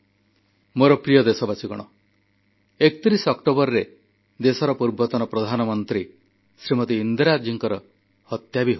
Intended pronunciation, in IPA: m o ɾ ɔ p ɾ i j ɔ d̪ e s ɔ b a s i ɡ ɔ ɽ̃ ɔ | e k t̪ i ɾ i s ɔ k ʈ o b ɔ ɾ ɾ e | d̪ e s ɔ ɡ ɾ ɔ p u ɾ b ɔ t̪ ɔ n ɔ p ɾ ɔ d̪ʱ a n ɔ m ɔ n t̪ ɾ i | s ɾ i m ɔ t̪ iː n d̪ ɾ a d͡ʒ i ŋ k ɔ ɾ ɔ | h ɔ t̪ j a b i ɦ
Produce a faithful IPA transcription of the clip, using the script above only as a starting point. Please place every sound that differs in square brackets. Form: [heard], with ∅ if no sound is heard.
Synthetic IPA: m o ɾ ɔ p ɾ i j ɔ d̪ e s ɔ b a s i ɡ ɔ ɽ̃ ɔ | e k t̪ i ɾ i s ɔ k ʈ o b ɔ ɾ ɾ e | d̪ e s ɔ [∅] ɾ ɔ p u ɾ b ɔ t̪ ɔ n ɔ p ɾ ɔ d̪ʱ a n ɔ m ɔ n t̪ ɾ i | s ɾ i m ɔ t̪ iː n d̪ ɾ a d͡ʒ i ŋ k ɔ ɾ ɔ | h ɔ t̪ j a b i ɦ